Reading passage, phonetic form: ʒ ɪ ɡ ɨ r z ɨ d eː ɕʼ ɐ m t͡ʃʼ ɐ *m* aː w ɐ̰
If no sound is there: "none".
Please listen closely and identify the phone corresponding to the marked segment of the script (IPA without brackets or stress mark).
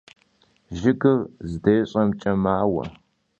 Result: m